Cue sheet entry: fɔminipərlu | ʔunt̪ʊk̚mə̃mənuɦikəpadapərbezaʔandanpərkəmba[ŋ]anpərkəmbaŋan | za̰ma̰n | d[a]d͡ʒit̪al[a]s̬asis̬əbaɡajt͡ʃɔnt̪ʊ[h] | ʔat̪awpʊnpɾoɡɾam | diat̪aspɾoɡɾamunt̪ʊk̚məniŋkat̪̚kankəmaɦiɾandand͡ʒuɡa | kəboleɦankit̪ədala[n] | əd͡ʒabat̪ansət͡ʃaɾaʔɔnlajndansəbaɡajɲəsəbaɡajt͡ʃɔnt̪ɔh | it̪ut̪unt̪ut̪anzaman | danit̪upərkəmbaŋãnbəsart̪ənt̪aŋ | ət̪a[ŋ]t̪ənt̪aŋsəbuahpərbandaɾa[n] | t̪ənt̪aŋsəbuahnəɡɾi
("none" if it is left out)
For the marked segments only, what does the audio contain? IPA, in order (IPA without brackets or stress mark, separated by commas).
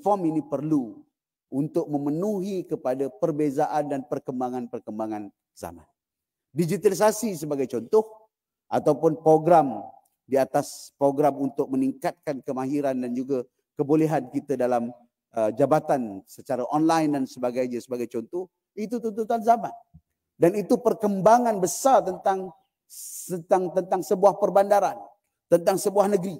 ŋ, i, i, h, m, ŋ, n